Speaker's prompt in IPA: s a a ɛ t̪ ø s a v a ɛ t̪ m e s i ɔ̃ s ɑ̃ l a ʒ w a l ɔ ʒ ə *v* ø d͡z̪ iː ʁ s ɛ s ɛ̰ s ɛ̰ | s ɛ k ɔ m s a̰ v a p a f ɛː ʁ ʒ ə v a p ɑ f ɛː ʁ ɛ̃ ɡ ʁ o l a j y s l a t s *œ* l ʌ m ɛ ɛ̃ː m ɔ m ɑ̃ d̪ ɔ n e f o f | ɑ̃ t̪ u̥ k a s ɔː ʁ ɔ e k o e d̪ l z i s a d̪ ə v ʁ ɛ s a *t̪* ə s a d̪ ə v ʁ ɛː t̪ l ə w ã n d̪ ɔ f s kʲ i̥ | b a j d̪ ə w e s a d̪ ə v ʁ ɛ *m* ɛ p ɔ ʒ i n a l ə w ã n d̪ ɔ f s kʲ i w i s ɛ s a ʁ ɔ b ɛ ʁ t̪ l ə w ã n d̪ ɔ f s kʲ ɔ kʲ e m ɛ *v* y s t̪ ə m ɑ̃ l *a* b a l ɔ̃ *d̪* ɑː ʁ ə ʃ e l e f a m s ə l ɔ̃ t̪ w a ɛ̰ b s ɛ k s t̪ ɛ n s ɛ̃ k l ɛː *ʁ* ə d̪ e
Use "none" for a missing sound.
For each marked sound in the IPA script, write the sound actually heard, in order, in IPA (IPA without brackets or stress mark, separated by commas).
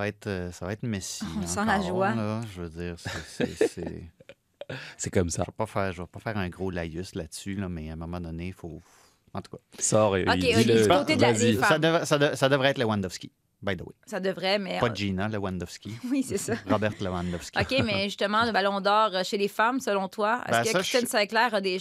v, y, d̪, m, ʒ, ə, d̪, ʁ